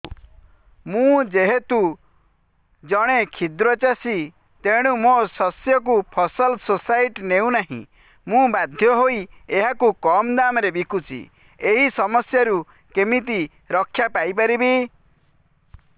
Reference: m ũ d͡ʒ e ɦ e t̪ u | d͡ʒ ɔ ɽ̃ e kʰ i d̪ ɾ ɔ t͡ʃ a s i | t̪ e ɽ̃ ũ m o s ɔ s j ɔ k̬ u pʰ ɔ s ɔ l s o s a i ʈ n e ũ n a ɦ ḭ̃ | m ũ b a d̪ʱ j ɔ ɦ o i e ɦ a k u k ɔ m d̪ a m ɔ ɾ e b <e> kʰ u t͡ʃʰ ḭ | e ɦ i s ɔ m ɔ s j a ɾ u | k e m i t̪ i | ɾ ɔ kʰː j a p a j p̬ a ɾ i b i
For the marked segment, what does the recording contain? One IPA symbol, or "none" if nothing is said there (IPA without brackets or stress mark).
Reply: i